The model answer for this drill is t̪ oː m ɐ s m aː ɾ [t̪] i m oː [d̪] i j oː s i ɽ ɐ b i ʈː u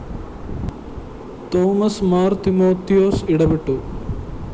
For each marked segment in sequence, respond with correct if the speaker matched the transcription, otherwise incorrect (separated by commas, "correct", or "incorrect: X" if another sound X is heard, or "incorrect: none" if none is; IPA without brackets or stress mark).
correct, incorrect: t̪